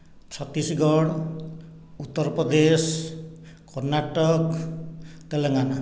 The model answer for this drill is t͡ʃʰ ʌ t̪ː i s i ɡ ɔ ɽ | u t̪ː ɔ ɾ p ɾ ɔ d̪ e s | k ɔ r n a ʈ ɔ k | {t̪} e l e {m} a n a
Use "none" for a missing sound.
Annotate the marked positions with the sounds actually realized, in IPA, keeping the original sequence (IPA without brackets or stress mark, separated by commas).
t̪, ŋ